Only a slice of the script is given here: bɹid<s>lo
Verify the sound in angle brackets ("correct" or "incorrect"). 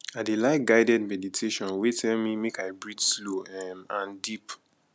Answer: correct